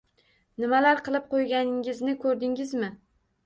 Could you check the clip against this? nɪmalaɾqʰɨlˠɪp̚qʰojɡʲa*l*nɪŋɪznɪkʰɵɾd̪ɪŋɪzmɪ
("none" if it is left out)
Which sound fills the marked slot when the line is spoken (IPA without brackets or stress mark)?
none